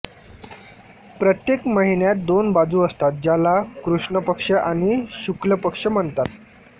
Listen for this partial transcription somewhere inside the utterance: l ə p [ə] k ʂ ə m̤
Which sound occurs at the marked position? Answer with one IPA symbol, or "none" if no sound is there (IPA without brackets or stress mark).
ə